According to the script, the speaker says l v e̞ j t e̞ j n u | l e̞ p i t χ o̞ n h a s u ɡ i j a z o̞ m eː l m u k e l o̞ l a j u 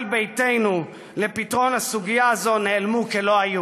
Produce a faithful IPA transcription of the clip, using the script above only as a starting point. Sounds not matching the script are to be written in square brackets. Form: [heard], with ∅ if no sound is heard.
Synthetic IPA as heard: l [b] e̞ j t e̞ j n u | l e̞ p i t [ʁ] o̞ n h a s u ɡ i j a z o̞ [n] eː l m u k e l o̞ [∅] a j u

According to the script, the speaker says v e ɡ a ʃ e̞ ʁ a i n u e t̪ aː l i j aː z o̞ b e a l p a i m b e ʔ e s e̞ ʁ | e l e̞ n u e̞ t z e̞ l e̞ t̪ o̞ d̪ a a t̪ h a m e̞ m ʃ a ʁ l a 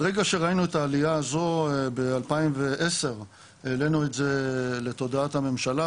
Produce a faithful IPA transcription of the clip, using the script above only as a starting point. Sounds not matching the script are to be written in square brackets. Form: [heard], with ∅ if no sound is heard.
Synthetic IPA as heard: [ʁ] e ɡ a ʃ e̞ ʁ a i n u e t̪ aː l i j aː z o̞ b e a l p a i m [v] e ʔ e s e̞ ʁ | e l e̞ n u e̞ t z e̞ l e̞ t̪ o̞ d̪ a a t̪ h a m e̞ m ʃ a [∅] l a

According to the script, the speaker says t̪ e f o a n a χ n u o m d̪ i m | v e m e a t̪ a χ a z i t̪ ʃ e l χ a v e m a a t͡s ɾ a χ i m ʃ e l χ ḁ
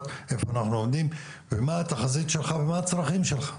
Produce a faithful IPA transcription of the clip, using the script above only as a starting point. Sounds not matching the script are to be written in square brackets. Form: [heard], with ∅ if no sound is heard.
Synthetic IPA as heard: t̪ e f o a n a χ n u o m d̪ i m | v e m [a] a t̪ a χ a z i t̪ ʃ e l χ a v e m a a t͡s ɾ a χ i m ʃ e l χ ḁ

